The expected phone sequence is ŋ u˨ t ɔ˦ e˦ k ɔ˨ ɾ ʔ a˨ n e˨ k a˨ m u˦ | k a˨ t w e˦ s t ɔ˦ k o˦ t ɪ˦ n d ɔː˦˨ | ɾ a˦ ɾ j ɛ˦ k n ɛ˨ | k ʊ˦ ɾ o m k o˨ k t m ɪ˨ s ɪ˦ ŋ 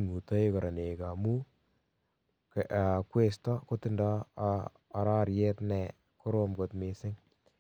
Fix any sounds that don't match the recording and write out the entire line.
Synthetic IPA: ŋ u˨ t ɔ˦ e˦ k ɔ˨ ɾ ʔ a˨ n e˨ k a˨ m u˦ | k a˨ k w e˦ s t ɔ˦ k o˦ t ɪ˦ n d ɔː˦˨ | ɾ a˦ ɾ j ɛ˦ t n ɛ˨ | k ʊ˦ ɾ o m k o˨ t m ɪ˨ s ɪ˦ ŋ